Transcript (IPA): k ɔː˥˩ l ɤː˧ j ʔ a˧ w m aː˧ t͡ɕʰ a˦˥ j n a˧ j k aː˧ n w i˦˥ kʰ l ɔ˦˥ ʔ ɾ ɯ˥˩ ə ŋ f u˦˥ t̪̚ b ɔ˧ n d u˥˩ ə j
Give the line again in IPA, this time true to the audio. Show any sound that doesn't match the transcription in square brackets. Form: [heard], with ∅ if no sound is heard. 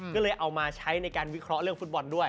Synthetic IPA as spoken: k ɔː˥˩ l ɤː˧ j ʔ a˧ w m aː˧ t͡ɕʰ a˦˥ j n a˧ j k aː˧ n w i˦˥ kʰ [ɾ] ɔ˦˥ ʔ ɾ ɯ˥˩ ə ŋ f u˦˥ t̪̚ b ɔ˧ n d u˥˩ ə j